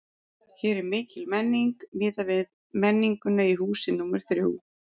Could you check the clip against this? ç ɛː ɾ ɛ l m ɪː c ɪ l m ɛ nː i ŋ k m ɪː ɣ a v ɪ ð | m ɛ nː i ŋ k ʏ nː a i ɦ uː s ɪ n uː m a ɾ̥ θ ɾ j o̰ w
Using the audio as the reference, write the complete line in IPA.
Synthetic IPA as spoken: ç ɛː ɾ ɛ ɾ m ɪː c ɪ l m ɛ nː i ŋ k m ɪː ð a v ɪ ð | m ɛ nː i ŋ k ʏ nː a i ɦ uː s ɪ n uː m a ɾ̥ θ ɾ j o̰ w